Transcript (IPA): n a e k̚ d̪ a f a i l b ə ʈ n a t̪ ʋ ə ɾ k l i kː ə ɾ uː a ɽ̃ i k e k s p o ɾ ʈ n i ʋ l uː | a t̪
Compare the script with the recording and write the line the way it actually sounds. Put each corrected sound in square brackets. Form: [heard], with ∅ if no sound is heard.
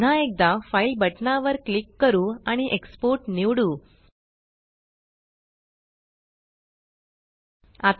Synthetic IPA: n a e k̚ d̪ a f a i l b ə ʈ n a [∅] ʋ ə ɾ k l i kː ə ɾ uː a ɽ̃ i [ʔ] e k s p o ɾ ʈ n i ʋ [ɽ] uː | a t̪